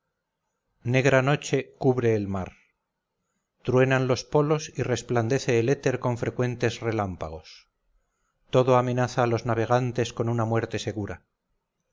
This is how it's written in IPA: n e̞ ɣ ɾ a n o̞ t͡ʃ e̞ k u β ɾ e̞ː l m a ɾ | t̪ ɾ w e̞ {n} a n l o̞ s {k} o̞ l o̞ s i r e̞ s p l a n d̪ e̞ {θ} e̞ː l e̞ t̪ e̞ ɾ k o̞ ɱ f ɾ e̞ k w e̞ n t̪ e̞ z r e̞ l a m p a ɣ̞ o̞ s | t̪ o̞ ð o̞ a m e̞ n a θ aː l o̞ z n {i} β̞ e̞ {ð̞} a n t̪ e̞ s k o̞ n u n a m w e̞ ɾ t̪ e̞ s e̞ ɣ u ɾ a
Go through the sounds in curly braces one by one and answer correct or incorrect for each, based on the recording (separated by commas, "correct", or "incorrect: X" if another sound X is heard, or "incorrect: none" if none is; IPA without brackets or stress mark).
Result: correct, incorrect: p, correct, incorrect: a, incorrect: ɣ̞